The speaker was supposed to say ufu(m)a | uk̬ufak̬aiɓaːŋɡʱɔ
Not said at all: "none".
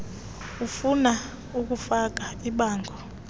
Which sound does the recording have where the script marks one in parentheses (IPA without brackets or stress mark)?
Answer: n